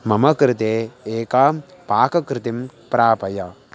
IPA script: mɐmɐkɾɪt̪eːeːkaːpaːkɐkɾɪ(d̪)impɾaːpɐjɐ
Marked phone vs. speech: incorrect: t̪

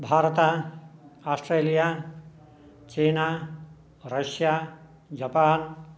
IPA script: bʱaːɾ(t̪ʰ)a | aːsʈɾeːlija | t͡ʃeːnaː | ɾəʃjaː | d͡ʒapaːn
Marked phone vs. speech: incorrect: t̪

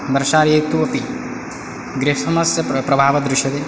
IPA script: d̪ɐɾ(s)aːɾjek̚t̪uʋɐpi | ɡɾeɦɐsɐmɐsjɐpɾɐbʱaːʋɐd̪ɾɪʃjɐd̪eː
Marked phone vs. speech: incorrect: ʃ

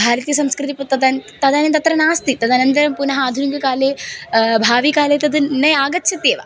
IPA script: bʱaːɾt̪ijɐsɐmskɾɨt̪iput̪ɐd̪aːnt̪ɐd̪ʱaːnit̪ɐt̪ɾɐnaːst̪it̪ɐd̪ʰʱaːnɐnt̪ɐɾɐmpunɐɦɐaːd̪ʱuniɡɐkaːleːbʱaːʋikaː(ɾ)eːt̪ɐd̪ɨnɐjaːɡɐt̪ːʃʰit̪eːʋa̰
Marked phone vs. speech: incorrect: l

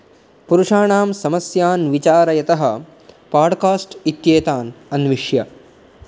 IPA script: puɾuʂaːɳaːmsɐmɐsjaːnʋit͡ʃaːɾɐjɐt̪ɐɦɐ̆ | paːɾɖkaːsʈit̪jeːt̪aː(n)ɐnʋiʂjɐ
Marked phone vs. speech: correct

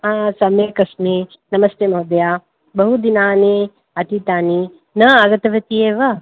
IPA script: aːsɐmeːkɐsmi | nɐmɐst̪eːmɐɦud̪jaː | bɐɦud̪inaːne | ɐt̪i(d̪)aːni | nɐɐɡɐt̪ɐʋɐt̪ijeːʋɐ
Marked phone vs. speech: incorrect: t̪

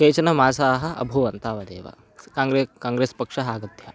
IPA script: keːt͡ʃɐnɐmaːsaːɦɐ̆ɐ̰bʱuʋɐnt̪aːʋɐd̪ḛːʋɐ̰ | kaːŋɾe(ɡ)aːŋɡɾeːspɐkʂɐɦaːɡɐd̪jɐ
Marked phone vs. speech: incorrect: k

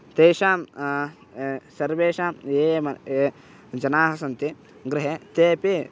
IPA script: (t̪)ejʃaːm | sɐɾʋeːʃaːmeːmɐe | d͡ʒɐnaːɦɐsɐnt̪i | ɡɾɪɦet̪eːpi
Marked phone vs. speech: correct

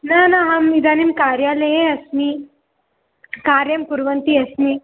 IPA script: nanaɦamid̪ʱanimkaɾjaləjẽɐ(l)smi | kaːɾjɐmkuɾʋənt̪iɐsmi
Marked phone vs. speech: incorrect: none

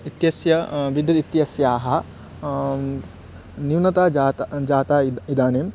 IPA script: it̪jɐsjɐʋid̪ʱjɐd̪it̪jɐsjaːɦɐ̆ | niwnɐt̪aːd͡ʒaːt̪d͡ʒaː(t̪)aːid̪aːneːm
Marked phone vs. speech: correct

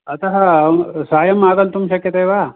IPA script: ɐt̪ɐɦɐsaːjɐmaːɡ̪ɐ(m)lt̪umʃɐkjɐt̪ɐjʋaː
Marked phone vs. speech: incorrect: none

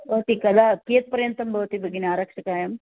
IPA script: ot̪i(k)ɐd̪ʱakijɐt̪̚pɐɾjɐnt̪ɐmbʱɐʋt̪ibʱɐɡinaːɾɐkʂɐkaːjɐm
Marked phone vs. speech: correct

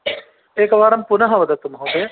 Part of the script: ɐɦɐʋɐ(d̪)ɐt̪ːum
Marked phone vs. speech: correct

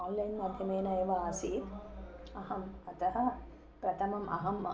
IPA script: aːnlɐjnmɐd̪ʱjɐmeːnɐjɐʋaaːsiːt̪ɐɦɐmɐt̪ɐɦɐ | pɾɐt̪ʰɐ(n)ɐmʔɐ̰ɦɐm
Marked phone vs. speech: incorrect: m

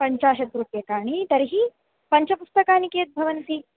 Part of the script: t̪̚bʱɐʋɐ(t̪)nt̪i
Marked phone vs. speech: incorrect: none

